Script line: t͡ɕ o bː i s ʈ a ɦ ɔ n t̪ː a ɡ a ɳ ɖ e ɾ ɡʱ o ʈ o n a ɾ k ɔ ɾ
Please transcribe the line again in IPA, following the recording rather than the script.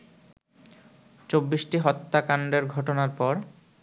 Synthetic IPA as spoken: t͡ɕ o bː i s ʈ i ɦ ɔ t̪ː a k a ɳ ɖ e ɾ ɡʱ ɔ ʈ o n a ɾ p ɔ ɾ